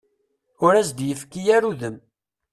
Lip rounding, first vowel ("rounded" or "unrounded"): rounded